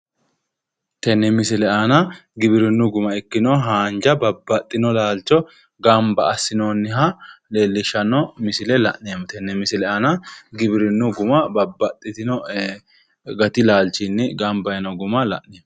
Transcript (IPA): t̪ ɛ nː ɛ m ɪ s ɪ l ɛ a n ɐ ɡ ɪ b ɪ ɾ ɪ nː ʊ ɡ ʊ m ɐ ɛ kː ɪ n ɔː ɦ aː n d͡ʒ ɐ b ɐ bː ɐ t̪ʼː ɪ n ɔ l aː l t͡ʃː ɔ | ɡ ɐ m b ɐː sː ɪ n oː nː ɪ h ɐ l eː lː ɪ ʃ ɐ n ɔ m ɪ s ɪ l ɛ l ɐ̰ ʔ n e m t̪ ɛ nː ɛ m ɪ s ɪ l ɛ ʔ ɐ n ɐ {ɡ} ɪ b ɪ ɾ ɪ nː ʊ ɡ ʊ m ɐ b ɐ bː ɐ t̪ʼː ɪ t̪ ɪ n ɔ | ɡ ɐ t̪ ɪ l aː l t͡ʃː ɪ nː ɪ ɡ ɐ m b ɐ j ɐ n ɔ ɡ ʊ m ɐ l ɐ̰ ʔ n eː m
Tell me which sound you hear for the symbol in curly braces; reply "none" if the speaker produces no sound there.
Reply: ɡ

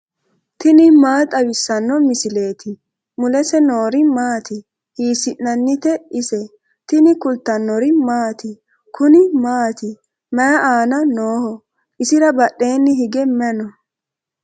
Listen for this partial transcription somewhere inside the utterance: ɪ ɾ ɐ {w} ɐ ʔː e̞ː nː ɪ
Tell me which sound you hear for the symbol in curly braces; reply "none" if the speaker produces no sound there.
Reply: b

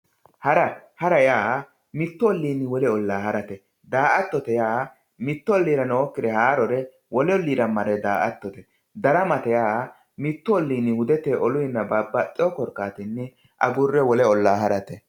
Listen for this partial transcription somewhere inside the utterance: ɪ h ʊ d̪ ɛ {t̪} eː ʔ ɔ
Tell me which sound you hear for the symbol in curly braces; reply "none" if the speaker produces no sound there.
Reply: t̪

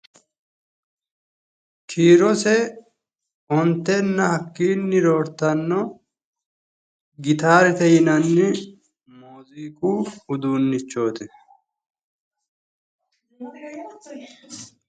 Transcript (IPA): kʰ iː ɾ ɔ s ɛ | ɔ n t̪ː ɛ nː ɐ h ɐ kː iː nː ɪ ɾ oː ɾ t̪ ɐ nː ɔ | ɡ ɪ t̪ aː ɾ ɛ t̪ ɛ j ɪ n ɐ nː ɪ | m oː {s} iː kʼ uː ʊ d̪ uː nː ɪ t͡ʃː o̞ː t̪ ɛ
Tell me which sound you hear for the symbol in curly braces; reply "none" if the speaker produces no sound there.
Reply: z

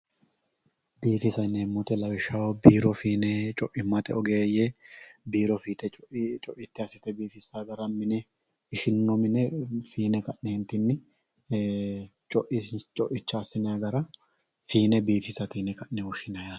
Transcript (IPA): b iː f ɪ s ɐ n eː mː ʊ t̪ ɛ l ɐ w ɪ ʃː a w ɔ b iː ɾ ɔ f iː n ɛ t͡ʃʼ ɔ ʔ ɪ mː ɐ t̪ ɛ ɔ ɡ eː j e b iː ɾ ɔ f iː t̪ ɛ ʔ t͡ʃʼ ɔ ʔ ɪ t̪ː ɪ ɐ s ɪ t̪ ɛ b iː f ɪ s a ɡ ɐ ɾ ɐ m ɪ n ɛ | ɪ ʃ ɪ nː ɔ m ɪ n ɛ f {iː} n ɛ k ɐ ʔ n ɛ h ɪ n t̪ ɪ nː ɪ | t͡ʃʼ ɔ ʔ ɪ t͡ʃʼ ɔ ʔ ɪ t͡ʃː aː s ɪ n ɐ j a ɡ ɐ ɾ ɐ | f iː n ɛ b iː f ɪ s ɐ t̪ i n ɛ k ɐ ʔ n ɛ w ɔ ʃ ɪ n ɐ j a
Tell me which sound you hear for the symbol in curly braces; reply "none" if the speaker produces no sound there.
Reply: iː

